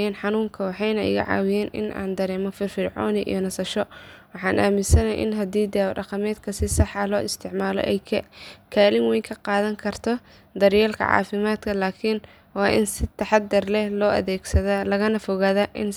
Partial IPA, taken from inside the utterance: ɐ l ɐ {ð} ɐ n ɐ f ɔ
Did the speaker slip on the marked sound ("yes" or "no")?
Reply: yes